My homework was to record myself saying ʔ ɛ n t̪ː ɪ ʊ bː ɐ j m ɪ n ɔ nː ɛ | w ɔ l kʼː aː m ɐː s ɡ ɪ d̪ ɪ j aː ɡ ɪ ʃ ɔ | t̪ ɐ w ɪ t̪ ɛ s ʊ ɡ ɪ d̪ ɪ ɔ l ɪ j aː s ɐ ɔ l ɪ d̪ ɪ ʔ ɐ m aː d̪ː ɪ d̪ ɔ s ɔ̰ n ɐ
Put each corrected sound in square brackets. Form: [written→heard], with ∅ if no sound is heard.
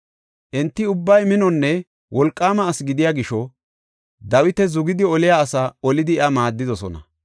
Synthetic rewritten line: ʔ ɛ n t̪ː ɪ ʊ bː ɐ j m ɪ n ɔ nː ɛ | w ɔ l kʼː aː m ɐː s ɡ ɪ d̪ ɪ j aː ɡ ɪ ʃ ɔ | [t̪→d̪] ɐ w ɪ t̪ ɛ [s→z] ʊ ɡ ɪ d̪ ɪ ɔ l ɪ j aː s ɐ ɔ l ɪ d̪ ɪ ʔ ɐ m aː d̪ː ɪ d̪ ɔ s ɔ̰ n ɐ